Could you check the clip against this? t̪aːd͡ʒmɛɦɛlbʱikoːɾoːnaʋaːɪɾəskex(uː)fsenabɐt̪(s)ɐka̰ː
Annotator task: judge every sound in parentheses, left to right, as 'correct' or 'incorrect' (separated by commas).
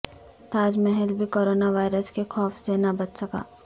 incorrect, correct